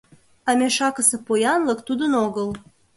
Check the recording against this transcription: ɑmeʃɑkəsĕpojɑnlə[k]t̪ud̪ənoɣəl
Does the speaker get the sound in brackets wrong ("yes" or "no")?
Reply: no